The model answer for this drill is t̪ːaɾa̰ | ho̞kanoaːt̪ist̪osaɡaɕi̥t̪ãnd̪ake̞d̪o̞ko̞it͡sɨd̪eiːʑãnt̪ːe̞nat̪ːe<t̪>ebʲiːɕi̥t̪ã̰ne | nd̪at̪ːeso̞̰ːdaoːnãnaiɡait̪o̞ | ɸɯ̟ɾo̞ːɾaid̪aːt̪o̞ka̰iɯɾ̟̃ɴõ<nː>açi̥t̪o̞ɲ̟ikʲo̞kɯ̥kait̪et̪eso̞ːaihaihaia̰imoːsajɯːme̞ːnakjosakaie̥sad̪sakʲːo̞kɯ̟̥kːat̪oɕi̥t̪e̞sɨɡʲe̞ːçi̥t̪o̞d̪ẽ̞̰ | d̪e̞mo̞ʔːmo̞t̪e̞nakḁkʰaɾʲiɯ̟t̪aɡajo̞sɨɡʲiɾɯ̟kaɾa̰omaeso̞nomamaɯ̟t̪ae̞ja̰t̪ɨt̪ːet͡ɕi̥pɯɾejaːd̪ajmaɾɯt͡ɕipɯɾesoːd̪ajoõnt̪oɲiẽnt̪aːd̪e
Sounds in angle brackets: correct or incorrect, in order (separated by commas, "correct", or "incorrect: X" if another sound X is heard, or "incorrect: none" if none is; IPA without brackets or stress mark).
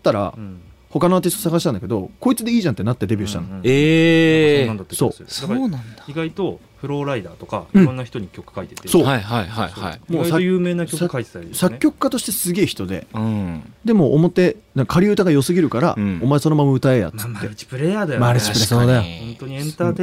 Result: incorrect: d̪, correct